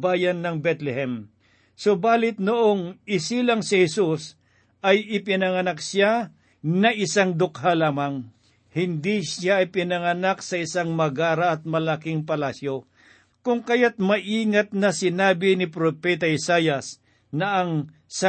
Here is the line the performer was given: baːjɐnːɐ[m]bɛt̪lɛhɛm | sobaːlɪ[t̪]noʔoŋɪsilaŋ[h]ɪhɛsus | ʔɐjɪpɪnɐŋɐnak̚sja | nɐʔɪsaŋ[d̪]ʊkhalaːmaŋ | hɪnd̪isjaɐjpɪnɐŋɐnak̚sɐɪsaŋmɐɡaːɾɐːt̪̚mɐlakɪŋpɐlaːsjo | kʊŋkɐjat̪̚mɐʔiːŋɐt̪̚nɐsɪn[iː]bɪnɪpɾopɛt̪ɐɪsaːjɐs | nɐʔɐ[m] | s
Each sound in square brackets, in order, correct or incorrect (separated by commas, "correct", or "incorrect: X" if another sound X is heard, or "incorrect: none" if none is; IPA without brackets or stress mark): incorrect: ŋ, correct, incorrect: s, correct, incorrect: aː, incorrect: ŋ